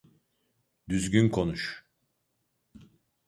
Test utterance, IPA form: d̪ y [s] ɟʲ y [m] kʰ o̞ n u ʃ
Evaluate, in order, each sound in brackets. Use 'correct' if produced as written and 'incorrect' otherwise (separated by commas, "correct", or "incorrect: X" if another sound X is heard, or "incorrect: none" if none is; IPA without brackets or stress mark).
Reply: incorrect: z, incorrect: n